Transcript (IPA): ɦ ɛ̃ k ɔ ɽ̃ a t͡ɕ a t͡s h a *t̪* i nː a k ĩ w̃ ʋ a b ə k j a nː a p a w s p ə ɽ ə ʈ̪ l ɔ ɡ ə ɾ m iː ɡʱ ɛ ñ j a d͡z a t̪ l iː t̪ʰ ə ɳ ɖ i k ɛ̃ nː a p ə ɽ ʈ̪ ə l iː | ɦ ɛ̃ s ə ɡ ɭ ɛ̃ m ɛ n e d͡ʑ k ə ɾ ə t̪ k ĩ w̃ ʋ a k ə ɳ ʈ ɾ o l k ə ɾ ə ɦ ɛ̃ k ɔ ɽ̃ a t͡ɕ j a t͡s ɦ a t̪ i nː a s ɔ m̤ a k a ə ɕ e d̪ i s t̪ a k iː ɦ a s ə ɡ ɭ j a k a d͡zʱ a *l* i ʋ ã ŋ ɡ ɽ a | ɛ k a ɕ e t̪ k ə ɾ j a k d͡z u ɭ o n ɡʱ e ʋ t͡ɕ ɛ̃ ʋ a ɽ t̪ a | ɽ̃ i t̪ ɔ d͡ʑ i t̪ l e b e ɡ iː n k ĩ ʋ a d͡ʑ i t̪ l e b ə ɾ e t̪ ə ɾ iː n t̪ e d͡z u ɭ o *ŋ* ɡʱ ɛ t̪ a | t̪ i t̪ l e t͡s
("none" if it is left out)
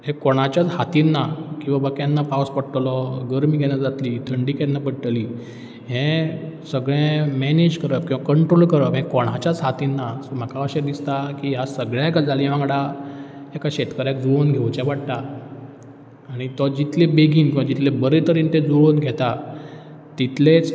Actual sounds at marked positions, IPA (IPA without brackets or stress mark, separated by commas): t̪, l, n